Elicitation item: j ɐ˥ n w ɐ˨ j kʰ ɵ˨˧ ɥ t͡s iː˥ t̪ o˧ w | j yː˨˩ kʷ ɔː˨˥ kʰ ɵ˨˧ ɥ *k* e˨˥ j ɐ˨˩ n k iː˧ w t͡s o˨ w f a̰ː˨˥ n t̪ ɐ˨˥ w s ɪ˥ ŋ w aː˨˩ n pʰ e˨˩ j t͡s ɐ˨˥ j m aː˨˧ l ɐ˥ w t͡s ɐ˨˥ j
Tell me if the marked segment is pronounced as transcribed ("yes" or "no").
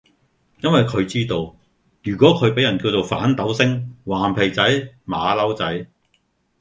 no